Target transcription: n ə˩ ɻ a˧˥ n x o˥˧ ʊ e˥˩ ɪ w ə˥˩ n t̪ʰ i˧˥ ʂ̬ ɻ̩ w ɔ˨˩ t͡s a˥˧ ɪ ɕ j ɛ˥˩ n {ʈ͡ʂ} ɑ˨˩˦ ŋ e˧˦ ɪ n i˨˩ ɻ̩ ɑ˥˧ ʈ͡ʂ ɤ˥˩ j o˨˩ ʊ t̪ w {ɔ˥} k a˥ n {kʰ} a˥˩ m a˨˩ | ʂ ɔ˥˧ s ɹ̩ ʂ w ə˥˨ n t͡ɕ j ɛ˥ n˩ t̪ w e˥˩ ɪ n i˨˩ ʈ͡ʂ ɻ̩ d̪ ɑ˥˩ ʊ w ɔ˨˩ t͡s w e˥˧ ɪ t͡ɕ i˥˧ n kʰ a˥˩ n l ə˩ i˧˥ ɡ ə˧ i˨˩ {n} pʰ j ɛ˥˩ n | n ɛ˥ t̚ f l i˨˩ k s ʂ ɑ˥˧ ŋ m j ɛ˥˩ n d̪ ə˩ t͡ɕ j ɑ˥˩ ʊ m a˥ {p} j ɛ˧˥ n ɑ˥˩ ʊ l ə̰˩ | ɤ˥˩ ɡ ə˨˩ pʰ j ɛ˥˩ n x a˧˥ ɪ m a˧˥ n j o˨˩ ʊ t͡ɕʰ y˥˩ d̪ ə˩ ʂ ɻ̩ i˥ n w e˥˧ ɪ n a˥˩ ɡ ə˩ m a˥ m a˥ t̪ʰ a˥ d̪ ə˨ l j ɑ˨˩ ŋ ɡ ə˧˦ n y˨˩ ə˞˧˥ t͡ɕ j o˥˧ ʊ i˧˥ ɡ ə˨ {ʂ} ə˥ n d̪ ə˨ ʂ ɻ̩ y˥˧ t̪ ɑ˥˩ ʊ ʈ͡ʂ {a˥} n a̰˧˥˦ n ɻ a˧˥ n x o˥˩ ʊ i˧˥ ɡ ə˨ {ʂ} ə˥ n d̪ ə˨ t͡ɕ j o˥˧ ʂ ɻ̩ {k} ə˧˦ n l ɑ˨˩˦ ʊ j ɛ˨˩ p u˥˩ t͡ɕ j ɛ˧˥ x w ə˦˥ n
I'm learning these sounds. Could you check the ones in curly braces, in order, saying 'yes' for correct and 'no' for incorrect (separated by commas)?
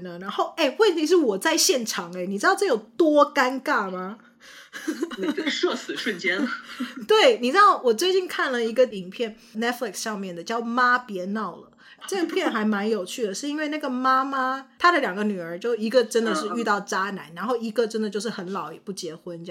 no, yes, no, no, yes, no, yes, no, no